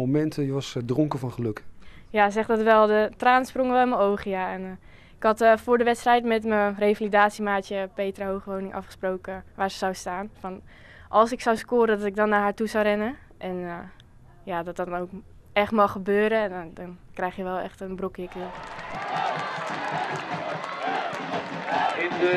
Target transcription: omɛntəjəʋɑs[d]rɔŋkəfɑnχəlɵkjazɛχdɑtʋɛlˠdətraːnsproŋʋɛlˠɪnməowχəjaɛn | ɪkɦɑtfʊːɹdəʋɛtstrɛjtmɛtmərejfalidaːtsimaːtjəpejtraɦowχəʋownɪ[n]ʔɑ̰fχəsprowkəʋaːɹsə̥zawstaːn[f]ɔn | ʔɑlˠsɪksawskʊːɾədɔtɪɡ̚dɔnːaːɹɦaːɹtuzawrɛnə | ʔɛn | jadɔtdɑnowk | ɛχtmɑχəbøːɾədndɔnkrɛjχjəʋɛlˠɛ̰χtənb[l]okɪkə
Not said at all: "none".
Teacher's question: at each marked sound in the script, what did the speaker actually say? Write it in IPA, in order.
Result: d, ŋ, f, r

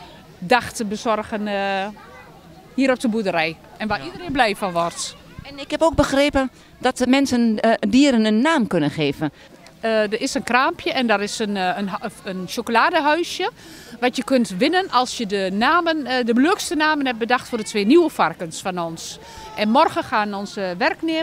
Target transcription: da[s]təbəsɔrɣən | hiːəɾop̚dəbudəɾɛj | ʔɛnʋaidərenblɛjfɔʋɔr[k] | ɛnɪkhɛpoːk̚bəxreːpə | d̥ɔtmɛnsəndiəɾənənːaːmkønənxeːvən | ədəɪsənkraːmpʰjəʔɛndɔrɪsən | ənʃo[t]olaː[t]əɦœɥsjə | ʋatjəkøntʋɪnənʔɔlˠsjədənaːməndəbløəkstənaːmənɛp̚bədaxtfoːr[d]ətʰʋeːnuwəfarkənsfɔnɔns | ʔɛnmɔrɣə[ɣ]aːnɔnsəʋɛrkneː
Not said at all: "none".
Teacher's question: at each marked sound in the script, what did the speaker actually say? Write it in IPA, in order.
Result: x, t, k, d, d, x

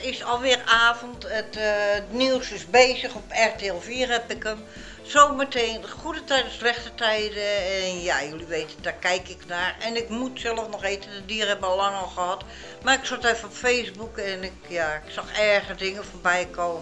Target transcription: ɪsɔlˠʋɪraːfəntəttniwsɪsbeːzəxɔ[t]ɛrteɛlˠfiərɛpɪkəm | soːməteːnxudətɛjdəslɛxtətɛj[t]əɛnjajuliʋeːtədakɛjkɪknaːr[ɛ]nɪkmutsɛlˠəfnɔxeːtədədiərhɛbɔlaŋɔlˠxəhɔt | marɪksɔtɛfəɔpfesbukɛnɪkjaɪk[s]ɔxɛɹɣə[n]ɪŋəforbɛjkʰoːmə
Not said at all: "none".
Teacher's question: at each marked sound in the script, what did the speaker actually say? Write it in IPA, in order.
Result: p, d, ɛ, s, d

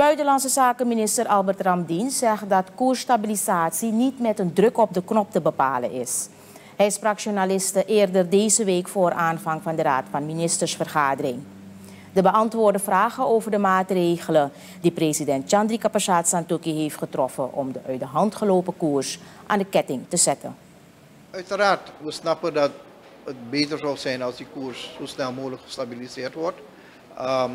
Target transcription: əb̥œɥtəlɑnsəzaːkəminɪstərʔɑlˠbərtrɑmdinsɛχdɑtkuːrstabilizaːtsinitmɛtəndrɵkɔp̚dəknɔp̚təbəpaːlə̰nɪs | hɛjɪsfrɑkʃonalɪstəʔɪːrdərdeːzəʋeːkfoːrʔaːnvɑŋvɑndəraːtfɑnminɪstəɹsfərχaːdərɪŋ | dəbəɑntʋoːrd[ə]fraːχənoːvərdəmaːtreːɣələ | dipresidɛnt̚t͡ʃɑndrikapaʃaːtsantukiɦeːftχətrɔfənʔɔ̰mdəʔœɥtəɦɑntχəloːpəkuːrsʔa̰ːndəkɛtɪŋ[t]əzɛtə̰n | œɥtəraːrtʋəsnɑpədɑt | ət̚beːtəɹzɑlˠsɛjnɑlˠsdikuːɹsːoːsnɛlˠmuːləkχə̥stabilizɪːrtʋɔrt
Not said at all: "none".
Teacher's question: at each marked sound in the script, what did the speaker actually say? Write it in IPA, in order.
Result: ə, t

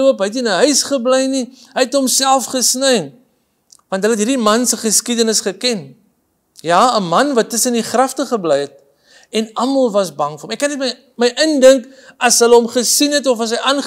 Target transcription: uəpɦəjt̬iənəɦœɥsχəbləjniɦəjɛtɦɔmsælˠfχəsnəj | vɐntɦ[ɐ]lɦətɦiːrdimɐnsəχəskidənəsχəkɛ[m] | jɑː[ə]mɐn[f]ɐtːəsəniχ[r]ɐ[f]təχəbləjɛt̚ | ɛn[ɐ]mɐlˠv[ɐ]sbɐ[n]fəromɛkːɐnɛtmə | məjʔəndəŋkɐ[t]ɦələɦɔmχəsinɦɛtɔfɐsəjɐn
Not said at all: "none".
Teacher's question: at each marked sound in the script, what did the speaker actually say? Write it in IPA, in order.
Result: ə, n, ə, v, r, f, ɐ, ɐ, ŋ, s

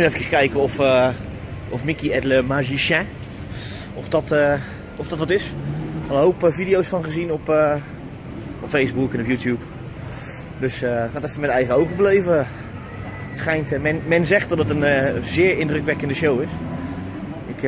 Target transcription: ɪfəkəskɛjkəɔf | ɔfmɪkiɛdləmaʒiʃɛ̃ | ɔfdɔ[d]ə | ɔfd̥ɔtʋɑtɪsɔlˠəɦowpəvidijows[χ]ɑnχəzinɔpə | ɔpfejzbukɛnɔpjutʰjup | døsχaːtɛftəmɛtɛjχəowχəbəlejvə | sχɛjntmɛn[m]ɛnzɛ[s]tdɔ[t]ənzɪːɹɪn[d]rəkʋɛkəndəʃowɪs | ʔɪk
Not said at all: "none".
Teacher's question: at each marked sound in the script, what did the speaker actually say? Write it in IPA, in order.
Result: t, f, m, χ, t, d

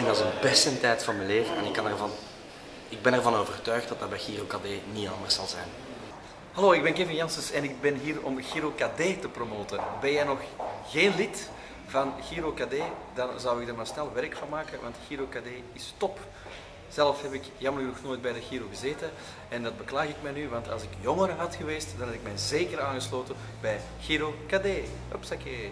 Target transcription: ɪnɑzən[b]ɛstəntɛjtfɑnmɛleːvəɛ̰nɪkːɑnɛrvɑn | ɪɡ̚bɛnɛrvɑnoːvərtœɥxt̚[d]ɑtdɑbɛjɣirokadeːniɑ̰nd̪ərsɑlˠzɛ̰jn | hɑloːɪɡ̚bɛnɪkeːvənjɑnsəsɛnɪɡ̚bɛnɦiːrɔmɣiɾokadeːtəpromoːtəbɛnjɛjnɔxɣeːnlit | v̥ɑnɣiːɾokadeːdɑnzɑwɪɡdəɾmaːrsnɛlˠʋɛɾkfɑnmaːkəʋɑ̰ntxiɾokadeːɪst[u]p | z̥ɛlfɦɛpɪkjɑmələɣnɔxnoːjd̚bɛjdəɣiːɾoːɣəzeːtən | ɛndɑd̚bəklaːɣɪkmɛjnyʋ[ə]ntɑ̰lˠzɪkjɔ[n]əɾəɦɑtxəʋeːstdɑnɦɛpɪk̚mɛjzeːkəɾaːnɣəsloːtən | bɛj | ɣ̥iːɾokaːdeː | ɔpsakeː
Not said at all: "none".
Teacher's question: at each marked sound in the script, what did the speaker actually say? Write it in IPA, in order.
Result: b, d, ɔ, ɑ, ŋ

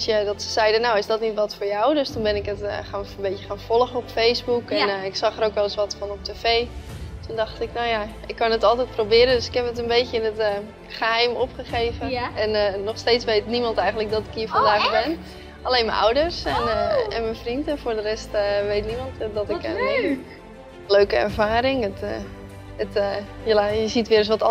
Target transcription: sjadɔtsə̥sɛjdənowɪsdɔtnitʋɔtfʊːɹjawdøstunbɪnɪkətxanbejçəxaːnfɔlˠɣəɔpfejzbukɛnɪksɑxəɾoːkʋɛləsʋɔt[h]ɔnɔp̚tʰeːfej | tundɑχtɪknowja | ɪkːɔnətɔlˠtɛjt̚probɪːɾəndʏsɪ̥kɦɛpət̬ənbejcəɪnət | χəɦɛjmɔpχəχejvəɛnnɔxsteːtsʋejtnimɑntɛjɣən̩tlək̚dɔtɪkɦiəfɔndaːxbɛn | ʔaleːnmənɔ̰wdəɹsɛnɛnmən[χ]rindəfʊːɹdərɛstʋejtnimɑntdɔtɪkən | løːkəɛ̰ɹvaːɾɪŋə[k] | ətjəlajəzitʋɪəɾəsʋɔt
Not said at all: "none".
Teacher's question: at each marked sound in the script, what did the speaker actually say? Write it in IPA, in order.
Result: f, f, t

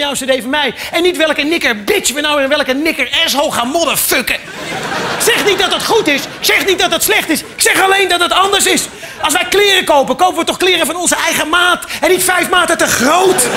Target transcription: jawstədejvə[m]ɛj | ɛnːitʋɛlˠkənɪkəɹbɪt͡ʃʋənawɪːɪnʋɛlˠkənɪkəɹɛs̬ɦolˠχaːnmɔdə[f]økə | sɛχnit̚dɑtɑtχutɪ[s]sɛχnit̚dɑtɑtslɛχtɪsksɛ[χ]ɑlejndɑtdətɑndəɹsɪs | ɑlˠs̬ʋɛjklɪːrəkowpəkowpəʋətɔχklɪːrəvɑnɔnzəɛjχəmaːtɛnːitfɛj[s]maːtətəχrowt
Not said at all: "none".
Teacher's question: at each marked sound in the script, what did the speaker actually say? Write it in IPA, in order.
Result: m, f, s, χ, f

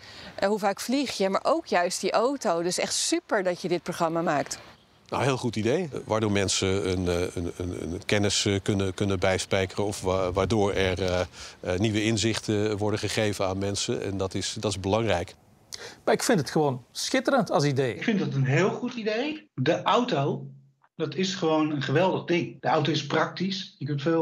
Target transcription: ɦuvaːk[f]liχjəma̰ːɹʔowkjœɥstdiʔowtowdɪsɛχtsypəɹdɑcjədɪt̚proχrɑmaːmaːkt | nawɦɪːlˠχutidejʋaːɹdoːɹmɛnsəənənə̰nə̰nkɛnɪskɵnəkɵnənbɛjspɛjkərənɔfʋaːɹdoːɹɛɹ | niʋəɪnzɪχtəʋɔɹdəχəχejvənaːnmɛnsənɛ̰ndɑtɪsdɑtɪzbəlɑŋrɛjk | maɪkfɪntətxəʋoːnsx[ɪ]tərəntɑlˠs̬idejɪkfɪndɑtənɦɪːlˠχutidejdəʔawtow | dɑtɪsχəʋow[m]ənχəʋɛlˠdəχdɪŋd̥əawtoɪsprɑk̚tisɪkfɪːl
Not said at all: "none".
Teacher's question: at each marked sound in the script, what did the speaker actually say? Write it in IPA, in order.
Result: f, ɪ, n

